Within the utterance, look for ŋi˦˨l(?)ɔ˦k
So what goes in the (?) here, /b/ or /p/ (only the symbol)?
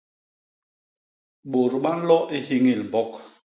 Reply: b